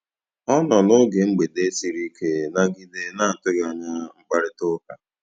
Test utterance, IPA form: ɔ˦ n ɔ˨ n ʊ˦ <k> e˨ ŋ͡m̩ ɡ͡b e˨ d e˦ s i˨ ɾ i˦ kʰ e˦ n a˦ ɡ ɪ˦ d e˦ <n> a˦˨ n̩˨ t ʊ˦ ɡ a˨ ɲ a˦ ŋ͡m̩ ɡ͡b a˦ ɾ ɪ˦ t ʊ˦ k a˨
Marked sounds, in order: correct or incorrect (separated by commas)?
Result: incorrect, correct